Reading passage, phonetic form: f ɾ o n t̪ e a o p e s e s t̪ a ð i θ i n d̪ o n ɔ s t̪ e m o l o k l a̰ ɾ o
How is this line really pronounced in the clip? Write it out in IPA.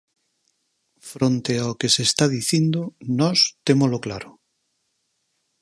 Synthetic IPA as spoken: f ɾ o n t̪ e a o k e s e s t̪ a ð i θ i n d̪ o n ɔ s t̪ e m o l o k l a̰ ɾ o